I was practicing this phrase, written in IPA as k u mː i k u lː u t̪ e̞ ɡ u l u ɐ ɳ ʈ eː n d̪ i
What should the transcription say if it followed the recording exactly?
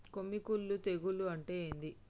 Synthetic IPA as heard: k o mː i k u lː u t̪ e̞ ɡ u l u ɐ ɳ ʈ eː n d̪ i

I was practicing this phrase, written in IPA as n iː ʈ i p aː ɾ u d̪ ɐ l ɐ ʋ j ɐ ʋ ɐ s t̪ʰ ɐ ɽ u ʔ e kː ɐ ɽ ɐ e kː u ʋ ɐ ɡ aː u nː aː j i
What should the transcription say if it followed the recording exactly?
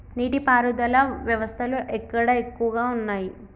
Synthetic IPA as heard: n iː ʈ i p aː ɾ u d̪ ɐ l ɐ ʋ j ɐ ʋ ɐ s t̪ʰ ɐ l u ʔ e kː ɐ ɽ ɐ e kː u ʋ ɐ ɡ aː u nː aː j i

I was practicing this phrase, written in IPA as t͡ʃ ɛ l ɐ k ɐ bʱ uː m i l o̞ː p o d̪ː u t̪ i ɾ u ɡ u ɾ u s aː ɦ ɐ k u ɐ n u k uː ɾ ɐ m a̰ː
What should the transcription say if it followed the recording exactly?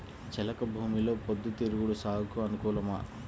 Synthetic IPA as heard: t͡ʃ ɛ l ɐ k ɐ bʱ uː m i l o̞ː p o d̪ː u t̪ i ɾ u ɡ u ɽ u s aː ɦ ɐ k u ɐ n u k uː l ɐ m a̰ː

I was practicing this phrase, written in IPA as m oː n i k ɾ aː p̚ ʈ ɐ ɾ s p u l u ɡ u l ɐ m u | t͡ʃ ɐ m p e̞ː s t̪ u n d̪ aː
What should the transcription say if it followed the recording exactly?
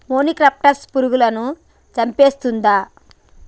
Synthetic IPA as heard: m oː n i k ɾ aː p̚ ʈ ɐ ɾ s p u ɾ u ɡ u l ɐ n u | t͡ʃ ɐ m p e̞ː s t̪ u n d̪ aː

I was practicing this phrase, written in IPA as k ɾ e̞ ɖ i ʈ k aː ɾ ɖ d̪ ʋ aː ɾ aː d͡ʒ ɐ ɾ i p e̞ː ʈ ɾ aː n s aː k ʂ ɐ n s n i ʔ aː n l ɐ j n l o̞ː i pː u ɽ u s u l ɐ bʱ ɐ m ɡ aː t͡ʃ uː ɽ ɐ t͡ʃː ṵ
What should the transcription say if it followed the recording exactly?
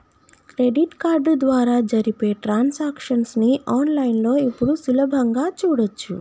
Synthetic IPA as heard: k ɾ e̞ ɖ i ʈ k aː ɾ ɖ d̪ ʋ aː ɾ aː d͡ʒ ɐ ɾ i p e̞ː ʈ ɾ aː n s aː k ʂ ɐ n s n i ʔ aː n l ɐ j n l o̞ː i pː u ɽ u s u l ɐ bʱ ɐ ŋ ɡ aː t͡ʃ uː ɽ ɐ t͡ʃː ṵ

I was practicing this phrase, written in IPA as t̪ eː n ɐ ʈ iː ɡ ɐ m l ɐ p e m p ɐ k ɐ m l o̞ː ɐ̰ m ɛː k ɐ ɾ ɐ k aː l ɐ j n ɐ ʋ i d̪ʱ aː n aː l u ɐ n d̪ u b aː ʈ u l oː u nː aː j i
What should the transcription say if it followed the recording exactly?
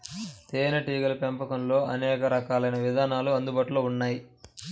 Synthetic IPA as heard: t̪ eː n ɐ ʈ iː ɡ ɐ l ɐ p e m p ɐ k ɐ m l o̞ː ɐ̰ n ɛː k ɐ ɾ ɐ k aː l ɐ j n ɐ ʋ i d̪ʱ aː n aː l u ɐ n d̪ u b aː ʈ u l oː u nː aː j i

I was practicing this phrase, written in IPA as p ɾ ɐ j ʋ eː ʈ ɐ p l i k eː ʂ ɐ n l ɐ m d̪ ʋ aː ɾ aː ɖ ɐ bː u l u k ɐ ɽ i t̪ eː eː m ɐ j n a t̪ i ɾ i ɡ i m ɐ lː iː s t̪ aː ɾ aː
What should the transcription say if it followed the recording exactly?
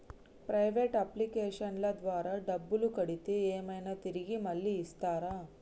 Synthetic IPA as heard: p ɾ ɐ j ʋ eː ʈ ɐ p l i k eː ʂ ɐ n l ɐ d̪ ʋ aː ɾ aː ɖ ɐ bː u l u k ɐ ɽ i t̪ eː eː m ɐ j n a t̪ i ɾ i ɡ i m ɐ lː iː s t̪ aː ɾ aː

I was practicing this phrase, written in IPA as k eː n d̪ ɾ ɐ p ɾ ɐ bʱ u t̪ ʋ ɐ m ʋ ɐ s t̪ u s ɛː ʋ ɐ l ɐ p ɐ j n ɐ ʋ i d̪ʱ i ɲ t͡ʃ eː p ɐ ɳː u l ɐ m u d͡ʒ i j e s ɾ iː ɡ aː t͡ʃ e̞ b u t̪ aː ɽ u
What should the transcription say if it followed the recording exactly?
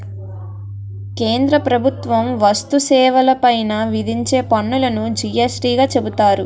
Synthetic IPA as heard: k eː n d̪ ɾ ɐ p ɾ ɐ bʱ u t̪ ʋ ɐ m ʋ ɐ s t̪ u s ɛː ʋ ɐ l ɐ p ɐ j n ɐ ʋ i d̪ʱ i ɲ t͡ʃ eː p ɐ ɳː u l ɐ n u d͡ʒ i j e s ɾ iː ɡ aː t͡ʃ e̞ b u t̪ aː ɾ u

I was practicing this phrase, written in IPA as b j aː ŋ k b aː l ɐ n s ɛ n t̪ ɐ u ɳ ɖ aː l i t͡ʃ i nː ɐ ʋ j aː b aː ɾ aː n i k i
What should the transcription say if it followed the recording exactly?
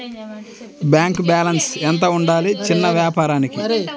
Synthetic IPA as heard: b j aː ŋ k b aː l ɐ n s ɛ n t̪ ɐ u ɳ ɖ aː l i t͡ʃ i nː ɐ ʋ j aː p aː ɾ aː n i k i

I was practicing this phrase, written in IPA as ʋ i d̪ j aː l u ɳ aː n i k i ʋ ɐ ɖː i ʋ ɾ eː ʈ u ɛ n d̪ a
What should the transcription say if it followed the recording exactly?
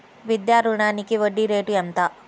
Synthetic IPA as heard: ʋ i d̪ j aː ɾ u ɳ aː n i k i ʋ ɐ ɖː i ɾ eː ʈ u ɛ n t̪ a

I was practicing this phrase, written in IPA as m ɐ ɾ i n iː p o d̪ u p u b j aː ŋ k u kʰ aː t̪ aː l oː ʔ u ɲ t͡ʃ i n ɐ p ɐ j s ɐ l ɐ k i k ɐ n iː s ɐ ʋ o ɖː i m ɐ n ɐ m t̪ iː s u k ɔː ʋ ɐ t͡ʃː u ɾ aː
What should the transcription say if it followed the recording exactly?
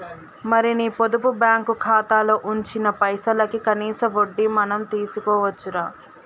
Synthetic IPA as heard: m ɐ ɾ i n iː p o d̪ u p u b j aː ŋ k u kʰ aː t̪ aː l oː ʔ u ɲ t͡ʃ i n ɐ p ɐ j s ɐ l ɐ k i k ɐ n iː s ɐ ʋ o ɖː i m ɐ n ɐ m t̪ iː s u k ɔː ʋ ɐ t͡ʃː u ɾ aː

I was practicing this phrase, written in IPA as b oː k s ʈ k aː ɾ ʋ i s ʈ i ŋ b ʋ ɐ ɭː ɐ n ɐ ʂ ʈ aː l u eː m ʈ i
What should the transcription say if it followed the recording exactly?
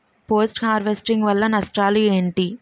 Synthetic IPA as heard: p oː s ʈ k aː ɾ ʋ e s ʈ i ŋ ɡ ʋ ɐ lː ɐ n ɐ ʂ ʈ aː l u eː ɳ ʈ i

